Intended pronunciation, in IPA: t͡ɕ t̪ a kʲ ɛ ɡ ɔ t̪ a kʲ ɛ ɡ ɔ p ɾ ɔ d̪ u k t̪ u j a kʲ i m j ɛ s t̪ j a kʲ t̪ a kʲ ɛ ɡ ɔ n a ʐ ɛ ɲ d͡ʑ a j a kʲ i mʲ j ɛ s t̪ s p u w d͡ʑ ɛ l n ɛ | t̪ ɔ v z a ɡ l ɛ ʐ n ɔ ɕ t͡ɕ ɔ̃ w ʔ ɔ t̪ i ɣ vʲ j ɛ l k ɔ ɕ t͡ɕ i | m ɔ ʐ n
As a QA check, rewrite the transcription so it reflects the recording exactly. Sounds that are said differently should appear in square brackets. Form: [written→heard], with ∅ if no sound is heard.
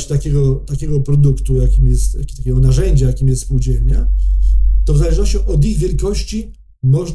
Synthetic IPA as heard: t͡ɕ t̪ a kʲ ɛ ɡ ɔ t̪ a kʲ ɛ ɡ ɔ p ɾ ɔ d̪ u k t̪ u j a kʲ i m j ɛ s t̪ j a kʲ t̪ a kʲ ɛ ɡ ɔ n a ʐ ɛ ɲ d͡ʑ a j a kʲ i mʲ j ɛ s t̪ s p u w d͡ʑ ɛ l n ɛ | t̪ ɔ v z a [ɡ→∅] l ɛ ʐ n ɔ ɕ t͡ɕ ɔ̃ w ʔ ɔ [t̪→d̪] i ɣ vʲ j ɛ l k ɔ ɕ t͡ɕ i | m ɔ ʐ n